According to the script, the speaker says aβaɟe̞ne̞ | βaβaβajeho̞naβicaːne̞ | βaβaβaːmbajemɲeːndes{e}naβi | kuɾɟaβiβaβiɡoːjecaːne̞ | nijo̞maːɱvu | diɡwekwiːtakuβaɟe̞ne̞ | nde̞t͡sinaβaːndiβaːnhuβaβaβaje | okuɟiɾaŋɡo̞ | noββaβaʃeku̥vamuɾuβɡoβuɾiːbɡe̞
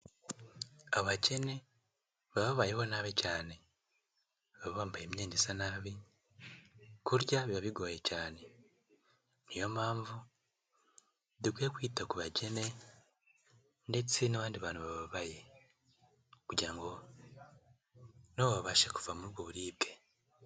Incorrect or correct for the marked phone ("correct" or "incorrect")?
incorrect